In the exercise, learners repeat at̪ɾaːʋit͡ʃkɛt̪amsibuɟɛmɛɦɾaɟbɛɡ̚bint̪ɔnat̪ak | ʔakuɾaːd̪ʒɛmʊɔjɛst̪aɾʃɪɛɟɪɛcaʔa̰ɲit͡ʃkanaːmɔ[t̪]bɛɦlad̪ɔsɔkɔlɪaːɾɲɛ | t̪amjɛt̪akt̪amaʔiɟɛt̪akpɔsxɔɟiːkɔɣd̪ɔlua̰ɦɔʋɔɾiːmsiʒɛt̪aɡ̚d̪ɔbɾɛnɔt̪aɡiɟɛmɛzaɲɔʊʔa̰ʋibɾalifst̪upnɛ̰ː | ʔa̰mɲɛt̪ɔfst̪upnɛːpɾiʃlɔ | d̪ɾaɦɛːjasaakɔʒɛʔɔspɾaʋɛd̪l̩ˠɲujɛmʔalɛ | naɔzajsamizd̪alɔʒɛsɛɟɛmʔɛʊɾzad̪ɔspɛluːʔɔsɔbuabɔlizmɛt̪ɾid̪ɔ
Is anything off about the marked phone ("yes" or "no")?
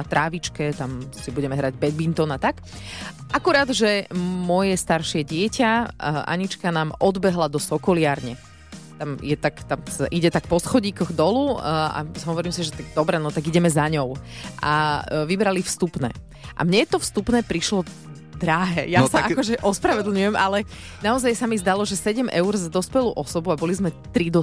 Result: yes